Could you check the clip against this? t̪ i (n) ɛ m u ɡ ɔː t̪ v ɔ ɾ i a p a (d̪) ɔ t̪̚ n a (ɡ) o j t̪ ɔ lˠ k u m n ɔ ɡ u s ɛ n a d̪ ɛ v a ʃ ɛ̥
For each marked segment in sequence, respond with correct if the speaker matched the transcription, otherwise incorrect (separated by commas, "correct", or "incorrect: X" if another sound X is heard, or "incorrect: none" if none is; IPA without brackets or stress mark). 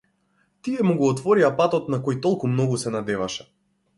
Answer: incorrect: none, incorrect: t̪, incorrect: k